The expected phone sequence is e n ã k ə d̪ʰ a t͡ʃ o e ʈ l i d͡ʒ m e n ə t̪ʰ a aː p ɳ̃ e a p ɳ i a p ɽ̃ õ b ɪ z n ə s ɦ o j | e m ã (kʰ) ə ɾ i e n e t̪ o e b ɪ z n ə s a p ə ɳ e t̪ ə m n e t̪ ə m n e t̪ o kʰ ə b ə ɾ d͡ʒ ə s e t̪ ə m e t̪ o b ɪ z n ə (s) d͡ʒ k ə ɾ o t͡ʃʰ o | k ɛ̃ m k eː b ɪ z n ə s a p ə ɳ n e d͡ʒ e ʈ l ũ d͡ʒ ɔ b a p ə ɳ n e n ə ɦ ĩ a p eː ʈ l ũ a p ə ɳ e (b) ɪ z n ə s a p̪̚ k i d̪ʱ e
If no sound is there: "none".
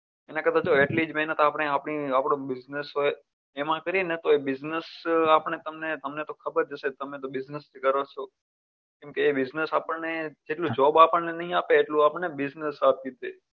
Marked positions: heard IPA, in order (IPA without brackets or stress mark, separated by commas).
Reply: k, s, b